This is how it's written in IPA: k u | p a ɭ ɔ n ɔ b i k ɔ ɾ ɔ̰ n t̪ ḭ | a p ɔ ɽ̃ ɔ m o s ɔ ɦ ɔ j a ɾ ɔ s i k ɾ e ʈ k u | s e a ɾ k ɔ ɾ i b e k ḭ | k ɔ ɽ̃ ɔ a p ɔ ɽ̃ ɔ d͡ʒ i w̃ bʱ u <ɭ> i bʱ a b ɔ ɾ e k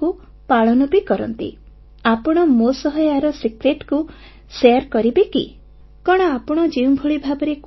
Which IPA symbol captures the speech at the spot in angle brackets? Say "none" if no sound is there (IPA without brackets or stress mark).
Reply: ɭ